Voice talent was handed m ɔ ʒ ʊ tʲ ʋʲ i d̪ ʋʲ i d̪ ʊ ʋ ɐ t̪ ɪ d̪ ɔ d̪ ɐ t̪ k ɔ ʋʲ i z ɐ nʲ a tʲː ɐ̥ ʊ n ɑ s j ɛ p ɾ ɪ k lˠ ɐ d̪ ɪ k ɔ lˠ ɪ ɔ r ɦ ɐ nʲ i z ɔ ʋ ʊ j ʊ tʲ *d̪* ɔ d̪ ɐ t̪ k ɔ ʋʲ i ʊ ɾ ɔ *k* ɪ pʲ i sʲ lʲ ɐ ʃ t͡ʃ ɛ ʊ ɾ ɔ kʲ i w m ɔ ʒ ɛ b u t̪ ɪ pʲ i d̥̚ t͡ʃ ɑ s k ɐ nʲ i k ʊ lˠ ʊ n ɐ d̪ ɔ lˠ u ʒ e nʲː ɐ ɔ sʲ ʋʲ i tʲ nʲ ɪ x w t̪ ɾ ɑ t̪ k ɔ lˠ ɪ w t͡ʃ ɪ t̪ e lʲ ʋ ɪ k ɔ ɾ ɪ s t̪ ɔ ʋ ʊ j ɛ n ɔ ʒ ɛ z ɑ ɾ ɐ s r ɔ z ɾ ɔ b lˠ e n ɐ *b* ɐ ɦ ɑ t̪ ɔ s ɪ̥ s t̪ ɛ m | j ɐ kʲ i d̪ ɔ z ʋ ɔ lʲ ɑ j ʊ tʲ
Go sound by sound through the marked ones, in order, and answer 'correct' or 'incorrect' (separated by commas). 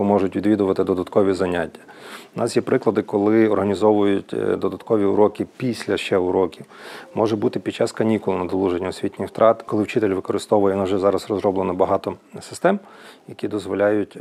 correct, correct, correct